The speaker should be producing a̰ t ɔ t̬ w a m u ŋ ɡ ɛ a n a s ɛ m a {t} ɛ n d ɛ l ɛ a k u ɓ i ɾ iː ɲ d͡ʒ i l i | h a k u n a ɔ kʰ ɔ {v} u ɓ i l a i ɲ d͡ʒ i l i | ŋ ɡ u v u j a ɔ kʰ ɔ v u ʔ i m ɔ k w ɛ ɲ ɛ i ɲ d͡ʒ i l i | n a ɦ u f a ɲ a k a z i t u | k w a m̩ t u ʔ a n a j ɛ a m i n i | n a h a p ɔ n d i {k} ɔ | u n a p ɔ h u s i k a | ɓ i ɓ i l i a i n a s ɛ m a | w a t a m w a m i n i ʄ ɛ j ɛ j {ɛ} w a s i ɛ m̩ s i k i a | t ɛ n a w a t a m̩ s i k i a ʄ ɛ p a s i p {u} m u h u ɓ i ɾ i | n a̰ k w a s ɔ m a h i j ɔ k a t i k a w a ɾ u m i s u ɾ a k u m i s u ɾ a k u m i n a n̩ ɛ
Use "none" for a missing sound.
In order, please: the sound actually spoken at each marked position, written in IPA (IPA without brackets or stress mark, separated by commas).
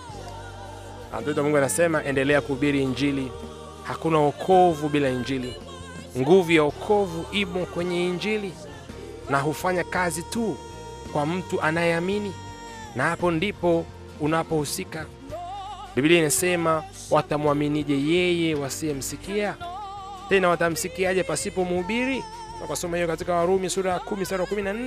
ʔ, v, p, ɛ, ɔ